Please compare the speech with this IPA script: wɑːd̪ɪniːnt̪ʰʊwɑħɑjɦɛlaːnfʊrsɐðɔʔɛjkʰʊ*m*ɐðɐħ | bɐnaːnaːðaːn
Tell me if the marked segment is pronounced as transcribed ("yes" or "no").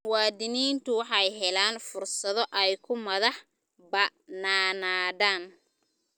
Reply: yes